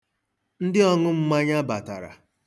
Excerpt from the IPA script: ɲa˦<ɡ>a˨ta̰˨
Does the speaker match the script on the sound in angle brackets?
no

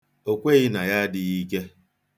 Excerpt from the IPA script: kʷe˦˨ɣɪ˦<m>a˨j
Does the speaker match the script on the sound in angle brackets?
no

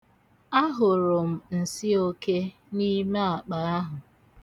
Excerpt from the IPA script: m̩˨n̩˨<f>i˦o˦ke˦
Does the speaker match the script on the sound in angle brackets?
no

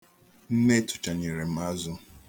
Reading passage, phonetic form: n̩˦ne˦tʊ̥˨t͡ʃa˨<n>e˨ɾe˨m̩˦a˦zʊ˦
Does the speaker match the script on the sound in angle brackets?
no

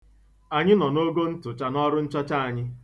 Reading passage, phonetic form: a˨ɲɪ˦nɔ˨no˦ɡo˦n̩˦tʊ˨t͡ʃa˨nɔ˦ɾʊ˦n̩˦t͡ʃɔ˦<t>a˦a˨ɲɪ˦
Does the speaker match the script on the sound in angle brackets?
no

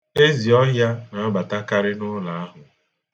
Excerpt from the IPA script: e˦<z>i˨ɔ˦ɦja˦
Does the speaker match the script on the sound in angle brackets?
yes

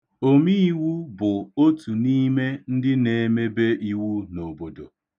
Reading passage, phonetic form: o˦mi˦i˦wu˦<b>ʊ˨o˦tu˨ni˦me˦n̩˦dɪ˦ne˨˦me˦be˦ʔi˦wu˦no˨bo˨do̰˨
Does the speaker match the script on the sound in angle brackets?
yes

